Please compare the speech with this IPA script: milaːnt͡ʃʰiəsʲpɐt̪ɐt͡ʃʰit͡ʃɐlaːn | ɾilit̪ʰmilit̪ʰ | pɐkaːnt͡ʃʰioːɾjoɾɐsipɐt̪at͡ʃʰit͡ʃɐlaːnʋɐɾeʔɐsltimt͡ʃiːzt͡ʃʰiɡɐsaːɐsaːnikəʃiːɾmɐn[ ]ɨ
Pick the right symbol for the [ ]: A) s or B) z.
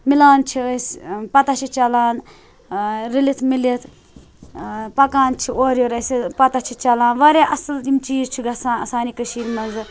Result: B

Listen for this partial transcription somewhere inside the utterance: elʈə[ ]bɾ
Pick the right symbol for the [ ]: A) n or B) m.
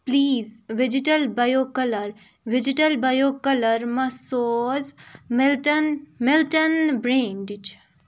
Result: A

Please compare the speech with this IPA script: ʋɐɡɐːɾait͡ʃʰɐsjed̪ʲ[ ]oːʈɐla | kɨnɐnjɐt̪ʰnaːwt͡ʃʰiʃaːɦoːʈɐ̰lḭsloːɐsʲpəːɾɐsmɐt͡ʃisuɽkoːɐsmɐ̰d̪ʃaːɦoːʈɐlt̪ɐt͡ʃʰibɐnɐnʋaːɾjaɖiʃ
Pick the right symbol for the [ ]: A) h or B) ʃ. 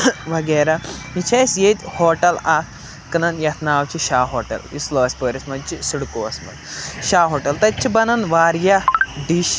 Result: A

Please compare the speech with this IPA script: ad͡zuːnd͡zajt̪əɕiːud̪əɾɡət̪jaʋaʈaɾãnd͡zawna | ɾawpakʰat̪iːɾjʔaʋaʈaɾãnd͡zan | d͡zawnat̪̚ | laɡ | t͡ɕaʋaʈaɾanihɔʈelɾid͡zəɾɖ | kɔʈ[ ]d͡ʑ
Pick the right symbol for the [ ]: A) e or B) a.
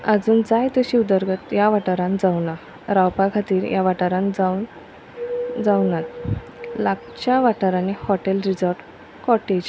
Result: A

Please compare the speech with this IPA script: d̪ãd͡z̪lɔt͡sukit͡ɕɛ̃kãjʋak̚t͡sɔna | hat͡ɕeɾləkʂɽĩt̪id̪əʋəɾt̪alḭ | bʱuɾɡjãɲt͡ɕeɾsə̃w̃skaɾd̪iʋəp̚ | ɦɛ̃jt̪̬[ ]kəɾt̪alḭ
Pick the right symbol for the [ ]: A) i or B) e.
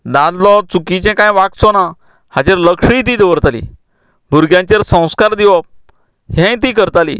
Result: A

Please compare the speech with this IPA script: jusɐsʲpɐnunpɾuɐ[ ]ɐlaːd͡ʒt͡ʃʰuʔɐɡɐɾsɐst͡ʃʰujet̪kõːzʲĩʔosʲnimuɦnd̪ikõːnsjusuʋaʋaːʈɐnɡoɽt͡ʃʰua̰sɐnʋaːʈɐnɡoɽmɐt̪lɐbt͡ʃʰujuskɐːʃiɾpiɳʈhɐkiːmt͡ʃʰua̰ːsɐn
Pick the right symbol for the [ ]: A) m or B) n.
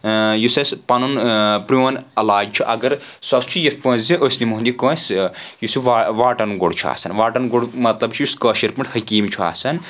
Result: B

